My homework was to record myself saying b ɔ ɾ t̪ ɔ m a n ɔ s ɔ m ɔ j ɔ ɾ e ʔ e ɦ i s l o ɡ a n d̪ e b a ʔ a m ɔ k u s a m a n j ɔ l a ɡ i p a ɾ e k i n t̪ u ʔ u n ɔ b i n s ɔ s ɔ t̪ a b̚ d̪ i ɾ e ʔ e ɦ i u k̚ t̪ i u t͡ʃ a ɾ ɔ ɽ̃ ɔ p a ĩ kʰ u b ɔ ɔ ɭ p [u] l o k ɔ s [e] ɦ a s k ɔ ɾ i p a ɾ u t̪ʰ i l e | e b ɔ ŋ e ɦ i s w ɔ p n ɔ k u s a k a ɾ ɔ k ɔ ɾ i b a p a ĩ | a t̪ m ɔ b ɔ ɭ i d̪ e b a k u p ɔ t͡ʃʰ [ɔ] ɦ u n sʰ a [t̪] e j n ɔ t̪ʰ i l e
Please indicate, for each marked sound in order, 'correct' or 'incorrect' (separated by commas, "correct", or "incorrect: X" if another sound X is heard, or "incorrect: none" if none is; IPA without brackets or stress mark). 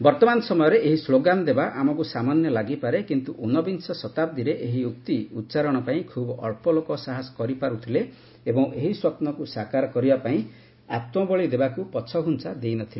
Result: incorrect: ɔ, incorrect: a, correct, incorrect: d̪